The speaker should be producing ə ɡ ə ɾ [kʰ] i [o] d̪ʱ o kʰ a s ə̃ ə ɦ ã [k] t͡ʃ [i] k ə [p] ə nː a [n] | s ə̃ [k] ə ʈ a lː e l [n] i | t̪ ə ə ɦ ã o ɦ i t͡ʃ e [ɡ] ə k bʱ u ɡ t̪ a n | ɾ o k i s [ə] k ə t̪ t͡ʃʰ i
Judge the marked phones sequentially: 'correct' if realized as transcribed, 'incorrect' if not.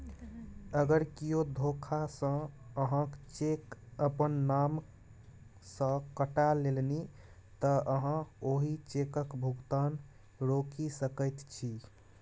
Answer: incorrect: k, correct, correct, incorrect: e, correct, incorrect: m, correct, correct, incorrect: k, correct

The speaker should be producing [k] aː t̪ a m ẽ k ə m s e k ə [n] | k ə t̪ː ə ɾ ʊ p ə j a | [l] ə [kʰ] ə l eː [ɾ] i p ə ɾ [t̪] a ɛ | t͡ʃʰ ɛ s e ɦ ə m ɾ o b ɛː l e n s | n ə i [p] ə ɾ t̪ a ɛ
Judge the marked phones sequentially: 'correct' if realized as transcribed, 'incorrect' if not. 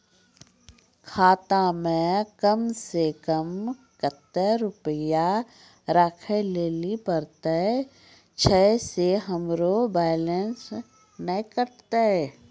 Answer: incorrect: kʰ, incorrect: m, incorrect: ɾ, correct, incorrect: l, correct, incorrect: k

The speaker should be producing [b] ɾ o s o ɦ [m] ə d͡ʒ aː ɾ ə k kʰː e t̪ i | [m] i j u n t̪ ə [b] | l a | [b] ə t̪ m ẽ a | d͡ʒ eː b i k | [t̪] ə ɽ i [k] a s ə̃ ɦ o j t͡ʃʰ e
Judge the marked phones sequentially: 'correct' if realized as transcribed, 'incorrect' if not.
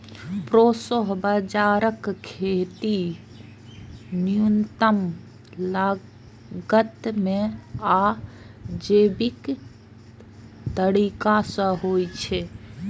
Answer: incorrect: p, incorrect: b, incorrect: n, incorrect: m, incorrect: ɡ, correct, correct

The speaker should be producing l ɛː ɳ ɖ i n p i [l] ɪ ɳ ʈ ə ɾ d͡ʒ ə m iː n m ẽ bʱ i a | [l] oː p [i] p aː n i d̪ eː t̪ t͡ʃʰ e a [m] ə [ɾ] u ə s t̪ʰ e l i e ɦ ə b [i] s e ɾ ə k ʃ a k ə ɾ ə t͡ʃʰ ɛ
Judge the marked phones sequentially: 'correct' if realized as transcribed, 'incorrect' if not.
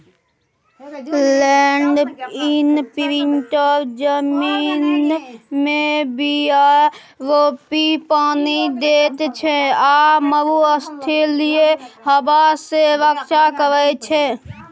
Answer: incorrect: ɾ, incorrect: ɾ, correct, correct, correct, incorrect: a

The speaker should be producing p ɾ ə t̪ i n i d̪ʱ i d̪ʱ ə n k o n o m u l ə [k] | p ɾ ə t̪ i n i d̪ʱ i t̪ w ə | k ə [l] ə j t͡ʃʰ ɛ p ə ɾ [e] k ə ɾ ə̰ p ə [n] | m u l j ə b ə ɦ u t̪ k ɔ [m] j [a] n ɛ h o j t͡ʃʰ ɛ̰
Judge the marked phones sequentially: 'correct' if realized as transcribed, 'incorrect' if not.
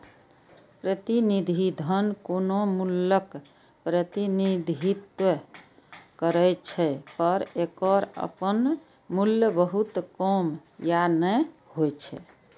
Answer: correct, incorrect: ɾ, correct, correct, correct, correct

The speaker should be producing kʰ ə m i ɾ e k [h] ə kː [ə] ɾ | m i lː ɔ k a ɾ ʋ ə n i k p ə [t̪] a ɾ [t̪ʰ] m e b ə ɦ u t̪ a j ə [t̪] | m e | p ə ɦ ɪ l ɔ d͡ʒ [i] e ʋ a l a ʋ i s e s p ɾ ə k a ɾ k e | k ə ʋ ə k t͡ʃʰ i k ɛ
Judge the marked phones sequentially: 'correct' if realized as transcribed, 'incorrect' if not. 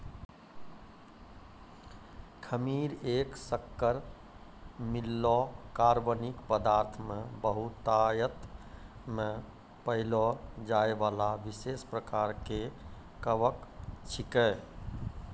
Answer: incorrect: s, correct, incorrect: d̪, correct, correct, incorrect: a

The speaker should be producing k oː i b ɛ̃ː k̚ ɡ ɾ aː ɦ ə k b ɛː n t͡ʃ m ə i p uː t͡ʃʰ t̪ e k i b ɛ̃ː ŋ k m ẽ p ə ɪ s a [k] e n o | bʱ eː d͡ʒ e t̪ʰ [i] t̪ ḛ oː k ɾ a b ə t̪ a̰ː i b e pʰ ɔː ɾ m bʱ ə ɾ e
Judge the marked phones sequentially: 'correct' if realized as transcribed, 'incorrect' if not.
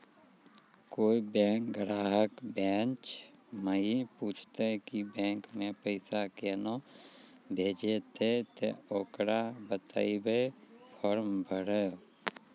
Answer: correct, incorrect: e

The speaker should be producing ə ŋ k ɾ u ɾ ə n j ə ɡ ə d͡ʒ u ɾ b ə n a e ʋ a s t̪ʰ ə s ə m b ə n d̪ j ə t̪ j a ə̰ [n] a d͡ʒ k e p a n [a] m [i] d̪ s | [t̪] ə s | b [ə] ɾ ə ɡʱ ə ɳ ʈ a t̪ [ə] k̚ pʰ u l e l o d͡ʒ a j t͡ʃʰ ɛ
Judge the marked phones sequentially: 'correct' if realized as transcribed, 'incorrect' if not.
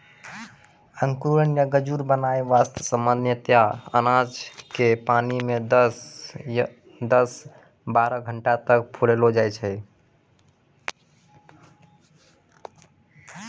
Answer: correct, incorrect: i, incorrect: e, incorrect: d̪, incorrect: a, correct

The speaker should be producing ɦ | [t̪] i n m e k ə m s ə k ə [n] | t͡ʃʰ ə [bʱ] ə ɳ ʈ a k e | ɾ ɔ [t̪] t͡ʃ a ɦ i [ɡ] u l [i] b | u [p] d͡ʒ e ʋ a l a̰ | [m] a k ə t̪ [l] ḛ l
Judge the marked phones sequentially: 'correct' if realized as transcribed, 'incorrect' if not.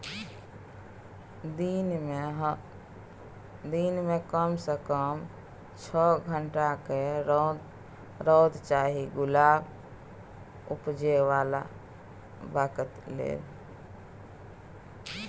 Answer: incorrect: d̪, incorrect: m, incorrect: ɡʱ, incorrect: d̪, correct, incorrect: a, correct, incorrect: b, correct

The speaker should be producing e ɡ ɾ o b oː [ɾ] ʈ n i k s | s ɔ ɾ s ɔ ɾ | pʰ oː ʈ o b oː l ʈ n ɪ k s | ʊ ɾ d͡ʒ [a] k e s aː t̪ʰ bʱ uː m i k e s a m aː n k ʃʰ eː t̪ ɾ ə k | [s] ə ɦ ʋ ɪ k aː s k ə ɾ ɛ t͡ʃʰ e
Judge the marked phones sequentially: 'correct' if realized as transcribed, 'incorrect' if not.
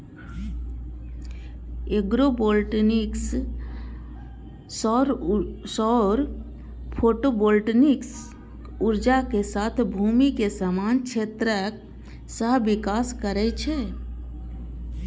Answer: incorrect: l, correct, correct

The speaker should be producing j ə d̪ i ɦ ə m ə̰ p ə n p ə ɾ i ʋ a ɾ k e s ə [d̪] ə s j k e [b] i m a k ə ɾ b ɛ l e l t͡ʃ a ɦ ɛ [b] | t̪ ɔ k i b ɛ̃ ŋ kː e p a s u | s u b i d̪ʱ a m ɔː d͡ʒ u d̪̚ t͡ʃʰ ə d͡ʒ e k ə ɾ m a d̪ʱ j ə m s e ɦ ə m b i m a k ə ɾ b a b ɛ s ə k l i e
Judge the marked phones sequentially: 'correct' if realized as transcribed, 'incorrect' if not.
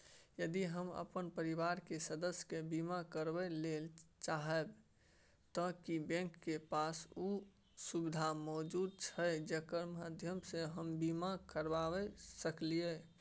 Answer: correct, correct, correct

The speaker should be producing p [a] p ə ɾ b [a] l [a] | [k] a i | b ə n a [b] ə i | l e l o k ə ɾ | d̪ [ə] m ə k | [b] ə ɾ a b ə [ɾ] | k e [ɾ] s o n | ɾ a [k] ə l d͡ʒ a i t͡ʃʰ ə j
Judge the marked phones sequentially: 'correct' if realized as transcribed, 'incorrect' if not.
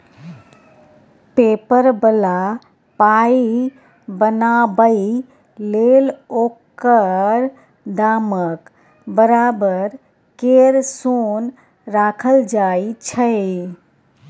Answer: incorrect: e, incorrect: ə, correct, incorrect: p, correct, incorrect: a, correct, correct, correct, incorrect: kʰ

